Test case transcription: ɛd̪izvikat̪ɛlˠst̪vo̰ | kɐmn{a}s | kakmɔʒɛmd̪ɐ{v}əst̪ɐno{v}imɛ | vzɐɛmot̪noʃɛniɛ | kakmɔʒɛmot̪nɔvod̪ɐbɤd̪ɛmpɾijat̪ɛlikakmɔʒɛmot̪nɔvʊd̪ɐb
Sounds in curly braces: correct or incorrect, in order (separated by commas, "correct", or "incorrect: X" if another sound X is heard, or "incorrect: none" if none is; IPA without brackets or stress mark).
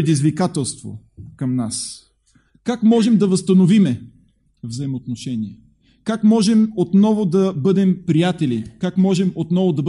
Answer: correct, correct, correct